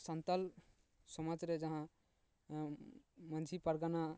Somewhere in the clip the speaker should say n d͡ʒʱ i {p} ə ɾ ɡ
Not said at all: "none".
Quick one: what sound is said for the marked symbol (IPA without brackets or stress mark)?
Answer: p